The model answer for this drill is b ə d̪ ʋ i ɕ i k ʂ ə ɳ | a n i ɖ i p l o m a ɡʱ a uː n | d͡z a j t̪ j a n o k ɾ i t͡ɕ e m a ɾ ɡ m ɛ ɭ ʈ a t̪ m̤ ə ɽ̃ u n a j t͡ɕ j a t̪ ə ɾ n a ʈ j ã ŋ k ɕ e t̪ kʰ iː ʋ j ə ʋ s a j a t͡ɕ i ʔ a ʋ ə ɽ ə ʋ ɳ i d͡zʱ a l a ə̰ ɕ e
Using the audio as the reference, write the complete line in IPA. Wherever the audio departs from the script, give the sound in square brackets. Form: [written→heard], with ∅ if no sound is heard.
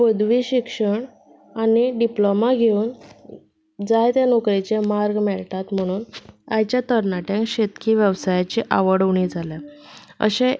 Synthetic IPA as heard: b ə d̪ ʋ i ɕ i k ʂ ə ɳ | a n i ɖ i p l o m a ɡʱ [a→e] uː n | d͡z a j t̪ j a n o k ɾ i t͡ɕ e m a ɾ ɡ m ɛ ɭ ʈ a t̪ m̤ ə ɽ̃ [u→uː] n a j t͡ɕ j a t̪ ə ɾ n a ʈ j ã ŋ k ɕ e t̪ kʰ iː ʋ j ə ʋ s a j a t͡ɕ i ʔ a ʋ ə ɽ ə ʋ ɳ i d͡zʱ a l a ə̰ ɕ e